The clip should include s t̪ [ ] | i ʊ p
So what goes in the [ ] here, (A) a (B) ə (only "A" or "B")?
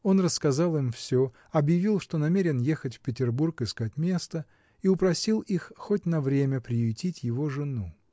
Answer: B